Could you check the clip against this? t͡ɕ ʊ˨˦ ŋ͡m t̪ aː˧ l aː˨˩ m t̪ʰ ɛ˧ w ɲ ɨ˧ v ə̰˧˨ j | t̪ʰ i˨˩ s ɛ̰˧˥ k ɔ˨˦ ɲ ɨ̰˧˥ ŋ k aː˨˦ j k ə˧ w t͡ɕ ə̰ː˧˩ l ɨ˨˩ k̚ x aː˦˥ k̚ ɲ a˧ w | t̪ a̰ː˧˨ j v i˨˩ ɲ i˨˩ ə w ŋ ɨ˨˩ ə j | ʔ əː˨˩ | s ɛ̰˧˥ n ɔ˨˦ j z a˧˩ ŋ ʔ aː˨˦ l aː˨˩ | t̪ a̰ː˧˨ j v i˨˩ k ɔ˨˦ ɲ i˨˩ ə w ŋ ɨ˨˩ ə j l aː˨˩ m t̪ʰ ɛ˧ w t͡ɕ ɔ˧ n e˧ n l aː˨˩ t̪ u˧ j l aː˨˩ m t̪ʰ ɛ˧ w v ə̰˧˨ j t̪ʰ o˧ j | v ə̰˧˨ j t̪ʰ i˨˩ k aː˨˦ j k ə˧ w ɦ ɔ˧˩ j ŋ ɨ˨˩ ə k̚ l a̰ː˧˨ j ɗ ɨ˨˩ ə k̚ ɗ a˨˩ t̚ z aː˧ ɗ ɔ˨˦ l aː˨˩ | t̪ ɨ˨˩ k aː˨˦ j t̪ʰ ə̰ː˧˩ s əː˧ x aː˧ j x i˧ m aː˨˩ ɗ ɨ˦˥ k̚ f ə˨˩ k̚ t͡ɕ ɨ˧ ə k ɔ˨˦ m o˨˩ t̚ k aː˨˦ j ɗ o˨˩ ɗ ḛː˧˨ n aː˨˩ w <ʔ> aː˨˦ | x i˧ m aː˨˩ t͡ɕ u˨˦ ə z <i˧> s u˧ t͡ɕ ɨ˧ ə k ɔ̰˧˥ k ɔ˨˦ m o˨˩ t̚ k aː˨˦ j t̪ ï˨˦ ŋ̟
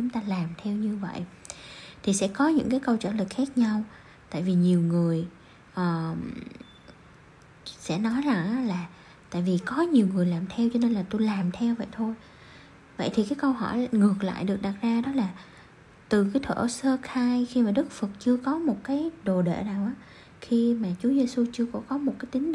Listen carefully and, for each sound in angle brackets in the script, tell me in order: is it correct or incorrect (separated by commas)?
correct, incorrect